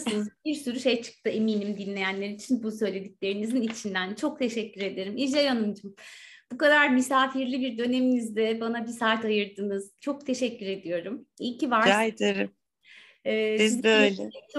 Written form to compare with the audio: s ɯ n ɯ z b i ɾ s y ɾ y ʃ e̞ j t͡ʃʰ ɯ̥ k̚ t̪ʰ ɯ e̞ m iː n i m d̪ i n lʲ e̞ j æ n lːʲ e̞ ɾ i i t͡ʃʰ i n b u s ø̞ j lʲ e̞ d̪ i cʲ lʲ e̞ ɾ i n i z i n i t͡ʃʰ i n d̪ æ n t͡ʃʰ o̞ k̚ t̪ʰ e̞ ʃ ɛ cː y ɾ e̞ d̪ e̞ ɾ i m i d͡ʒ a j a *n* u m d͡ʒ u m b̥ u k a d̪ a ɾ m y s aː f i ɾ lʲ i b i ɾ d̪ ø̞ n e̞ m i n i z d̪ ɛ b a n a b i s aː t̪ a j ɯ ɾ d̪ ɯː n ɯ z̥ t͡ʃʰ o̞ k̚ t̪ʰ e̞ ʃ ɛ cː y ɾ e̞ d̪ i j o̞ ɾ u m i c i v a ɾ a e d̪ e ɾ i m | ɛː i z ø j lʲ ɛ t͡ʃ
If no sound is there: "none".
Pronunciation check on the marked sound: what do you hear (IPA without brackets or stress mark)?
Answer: n